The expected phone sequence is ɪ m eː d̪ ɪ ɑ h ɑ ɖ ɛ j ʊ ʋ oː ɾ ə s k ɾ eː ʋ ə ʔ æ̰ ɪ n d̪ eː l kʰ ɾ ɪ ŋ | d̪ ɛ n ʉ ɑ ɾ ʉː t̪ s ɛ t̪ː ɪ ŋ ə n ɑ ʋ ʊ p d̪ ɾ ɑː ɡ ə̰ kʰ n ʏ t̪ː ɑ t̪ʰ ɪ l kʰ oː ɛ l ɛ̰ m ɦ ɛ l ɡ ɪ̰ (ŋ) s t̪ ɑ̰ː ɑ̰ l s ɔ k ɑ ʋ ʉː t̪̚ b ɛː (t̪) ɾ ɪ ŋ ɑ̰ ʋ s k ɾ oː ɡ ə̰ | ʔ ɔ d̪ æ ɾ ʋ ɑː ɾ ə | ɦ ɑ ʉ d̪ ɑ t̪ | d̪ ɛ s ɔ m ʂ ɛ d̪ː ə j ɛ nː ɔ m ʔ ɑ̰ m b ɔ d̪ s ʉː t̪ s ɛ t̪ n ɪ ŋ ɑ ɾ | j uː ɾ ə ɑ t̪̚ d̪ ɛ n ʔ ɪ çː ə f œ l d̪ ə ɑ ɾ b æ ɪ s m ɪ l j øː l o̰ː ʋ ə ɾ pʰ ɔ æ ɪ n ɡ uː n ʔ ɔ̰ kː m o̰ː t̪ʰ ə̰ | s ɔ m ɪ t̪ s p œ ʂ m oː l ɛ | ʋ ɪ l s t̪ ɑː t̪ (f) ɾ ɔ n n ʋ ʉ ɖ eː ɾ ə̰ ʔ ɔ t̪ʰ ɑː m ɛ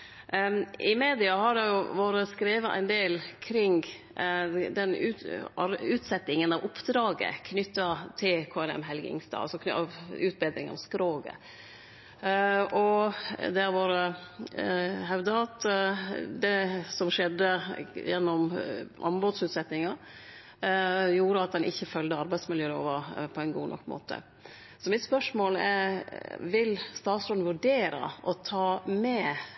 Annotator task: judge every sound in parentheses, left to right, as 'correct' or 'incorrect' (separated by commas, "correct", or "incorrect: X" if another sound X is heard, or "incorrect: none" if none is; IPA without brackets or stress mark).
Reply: correct, incorrect: d̪, incorrect: s